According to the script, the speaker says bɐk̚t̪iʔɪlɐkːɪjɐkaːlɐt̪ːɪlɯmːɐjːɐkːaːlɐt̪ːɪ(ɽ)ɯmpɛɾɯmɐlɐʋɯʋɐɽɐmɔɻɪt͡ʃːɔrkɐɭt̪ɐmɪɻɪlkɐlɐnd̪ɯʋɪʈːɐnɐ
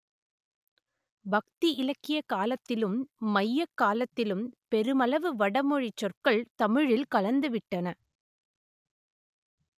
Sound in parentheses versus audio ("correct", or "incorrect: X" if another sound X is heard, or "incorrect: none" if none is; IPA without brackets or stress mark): incorrect: l